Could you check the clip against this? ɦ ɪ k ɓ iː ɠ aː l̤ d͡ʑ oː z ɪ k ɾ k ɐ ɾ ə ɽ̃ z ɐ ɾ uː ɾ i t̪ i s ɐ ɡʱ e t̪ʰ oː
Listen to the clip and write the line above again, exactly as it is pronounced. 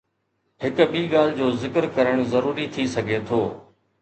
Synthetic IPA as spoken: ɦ ɪ k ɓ iː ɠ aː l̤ d͡ʑ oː z ɪ k ɾ k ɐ ɾ ə ɽ̃ z ɐ ɾ uː ɾ i t̪ʰ i s ɐ ɡʱ e t̪ʰ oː

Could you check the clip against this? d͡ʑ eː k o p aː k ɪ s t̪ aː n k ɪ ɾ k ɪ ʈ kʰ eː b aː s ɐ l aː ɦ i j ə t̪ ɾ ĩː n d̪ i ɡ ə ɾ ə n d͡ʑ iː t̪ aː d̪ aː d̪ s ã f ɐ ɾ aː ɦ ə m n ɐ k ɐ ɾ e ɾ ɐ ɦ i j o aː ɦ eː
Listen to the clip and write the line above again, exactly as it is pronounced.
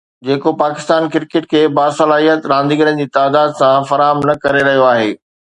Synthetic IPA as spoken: d͡ʑ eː k o p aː k ɪ s t̪ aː n k ɪ ɾ k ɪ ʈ kʰ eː b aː s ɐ l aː ɦ i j ə t̪ ɾ ãː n d̪ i ɡ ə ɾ ə n d͡ʑ iː t̪ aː d̪ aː d̪ s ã f ɐ ɾ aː ɦ ə m n ɐ k ɐ ɾ e ɾ ɐ ɦ i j o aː ɦ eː

